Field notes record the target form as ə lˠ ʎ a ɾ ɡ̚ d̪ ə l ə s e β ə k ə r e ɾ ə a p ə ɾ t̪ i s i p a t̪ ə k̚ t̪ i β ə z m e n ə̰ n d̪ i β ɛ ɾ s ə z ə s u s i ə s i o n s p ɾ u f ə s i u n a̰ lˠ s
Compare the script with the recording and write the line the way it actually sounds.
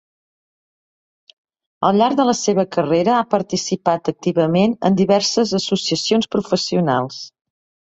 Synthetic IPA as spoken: ə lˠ ʎ a ɾ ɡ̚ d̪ ə l ə s e β ə k ə r e ɾ ə a p ə ɾ t̪ i s i p a t̪ ə k̚ t̪ i β ə m e n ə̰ n d̪ i β ɛ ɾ s ə z ə s u s i ə s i o n s p ɾ u f ə s i u n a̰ lˠ s